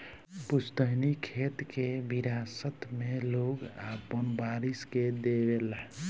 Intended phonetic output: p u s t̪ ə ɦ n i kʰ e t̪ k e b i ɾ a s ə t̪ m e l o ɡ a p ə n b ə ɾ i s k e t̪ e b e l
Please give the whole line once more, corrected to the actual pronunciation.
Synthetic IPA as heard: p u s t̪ ə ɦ n i kʰ e t̪ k e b i ɾ a s ə t̪ m e l o ɡ a p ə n b a ɾ i s k e d̪ e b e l